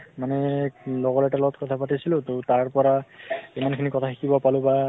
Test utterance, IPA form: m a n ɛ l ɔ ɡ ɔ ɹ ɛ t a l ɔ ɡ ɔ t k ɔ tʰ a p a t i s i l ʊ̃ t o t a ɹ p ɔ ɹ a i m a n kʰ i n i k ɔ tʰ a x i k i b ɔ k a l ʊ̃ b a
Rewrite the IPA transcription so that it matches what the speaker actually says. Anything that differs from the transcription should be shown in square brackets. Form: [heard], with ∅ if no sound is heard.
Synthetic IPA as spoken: m a n ɛ l ɔ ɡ ɔ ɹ ɛ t a l ɔ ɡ ɔ t k ɔ tʰ a p a t i s i l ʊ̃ t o t a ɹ p ɔ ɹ a i m a n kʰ i n i k ɔ tʰ a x i k i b ɔ [p] a l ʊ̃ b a

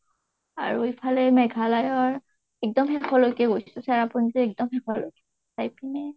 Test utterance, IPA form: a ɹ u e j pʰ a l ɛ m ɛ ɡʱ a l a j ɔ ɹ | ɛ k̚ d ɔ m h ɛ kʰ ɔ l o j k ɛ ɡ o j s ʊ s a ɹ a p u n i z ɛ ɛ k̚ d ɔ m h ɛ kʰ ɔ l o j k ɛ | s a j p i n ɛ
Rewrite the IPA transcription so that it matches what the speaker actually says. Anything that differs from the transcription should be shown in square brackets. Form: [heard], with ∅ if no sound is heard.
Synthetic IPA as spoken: a ɹ u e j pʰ a l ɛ m ɛ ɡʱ a l a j ɔ ɹ | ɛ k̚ d ɔ m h ɛ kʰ ɔ l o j k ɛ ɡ o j s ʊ s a ɹ a p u n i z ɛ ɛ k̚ d ɔ m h ɛ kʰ ɔ l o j k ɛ | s a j p i n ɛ

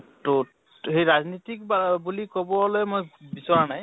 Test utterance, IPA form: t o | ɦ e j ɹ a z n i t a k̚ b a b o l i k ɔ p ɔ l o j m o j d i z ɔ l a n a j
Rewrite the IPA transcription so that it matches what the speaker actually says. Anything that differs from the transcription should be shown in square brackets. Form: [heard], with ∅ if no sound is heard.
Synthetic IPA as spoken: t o | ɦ e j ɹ a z n i t [i] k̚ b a b [u] l i k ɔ [b] ɔ l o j m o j [b] i [s] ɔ [ɹ] a n a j

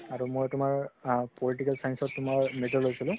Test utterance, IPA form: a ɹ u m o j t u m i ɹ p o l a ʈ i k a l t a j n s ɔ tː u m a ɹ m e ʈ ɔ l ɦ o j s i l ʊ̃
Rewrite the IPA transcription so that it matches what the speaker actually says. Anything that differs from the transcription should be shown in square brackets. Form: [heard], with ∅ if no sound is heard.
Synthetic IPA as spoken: a ɹ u m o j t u m [a] ɹ p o l [i] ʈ i k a l [s] a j n s ɔ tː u m a ɹ m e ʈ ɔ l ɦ o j s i l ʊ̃

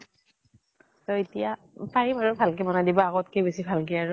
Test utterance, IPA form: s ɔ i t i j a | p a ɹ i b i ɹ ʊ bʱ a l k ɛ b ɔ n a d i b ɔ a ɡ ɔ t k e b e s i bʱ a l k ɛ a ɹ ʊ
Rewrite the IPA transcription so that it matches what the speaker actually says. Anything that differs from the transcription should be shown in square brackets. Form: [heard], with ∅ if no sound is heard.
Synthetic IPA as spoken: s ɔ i t i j a | p a ɹ i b [a] ɹ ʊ bʱ a l k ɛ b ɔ n a d i b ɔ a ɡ ɔ t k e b e s i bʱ a l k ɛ a ɹ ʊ

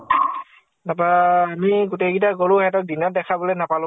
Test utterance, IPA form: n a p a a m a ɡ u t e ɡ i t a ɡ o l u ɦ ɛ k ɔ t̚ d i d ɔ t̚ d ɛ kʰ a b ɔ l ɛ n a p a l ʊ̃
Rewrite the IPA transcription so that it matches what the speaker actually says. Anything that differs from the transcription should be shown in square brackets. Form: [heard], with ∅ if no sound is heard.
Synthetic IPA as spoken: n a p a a m [i] ɡ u t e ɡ i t a ɡ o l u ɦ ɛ [t] ɔ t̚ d i [n] ɔ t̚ d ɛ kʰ a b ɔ l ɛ n a p a l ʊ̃

